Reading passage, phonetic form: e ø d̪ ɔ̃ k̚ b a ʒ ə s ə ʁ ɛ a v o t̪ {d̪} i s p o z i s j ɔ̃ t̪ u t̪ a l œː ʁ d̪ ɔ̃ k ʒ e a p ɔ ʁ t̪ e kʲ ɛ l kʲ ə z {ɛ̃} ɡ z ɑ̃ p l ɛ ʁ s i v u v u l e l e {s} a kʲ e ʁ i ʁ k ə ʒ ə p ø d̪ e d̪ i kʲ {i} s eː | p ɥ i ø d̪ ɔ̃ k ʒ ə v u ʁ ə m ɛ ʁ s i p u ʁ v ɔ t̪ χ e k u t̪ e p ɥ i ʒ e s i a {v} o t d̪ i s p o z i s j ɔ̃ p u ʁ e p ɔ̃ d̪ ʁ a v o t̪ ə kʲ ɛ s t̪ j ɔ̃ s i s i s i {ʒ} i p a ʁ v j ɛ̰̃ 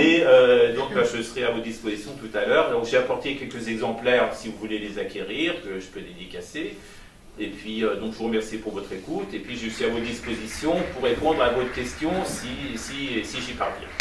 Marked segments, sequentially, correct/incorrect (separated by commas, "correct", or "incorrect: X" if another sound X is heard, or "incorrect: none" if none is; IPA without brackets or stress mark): correct, incorrect: ɛ, incorrect: z, incorrect: a, correct, correct